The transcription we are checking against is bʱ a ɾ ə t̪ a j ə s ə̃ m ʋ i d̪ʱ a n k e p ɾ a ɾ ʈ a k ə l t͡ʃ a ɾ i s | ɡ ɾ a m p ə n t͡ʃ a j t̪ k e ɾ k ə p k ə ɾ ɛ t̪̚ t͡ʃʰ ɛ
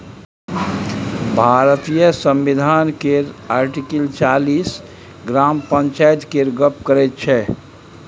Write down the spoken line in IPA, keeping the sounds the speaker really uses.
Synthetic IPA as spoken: bʱ a ɾ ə t̪ i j ə s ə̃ m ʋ i d̪ʱ a n k e ɾ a ɾ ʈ i k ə l t͡ʃ a l i s | ɡ ɾ a m p ə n t͡ʃ a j t̪ k e ɾ ɡ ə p k ə ɾ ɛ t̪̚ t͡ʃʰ ɛ